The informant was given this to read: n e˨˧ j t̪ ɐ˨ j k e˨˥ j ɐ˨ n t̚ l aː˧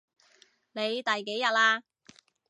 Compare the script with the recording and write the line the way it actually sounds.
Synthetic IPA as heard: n e˨˧ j t̪ ɐ˨ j k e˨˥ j ɐ˨ t̚ l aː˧